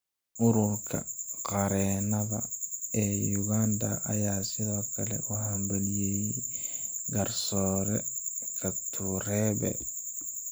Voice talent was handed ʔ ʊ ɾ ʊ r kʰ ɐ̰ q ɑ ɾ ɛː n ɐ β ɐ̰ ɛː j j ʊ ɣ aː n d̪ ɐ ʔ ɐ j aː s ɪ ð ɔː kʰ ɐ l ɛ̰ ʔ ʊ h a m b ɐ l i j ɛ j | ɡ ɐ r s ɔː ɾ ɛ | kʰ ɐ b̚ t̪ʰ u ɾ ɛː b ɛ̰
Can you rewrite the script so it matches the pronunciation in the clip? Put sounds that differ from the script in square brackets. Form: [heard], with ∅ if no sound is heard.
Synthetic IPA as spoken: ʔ ʊ ɾ ʊ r kʰ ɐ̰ q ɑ ɾ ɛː n ɐ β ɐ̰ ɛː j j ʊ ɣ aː n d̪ ɐ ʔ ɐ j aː s ɪ ð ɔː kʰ ɐ l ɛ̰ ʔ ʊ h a m b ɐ l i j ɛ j | ɡ ɐ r s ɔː ɾ ɛ | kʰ ɐ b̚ t̪ʰ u ɾ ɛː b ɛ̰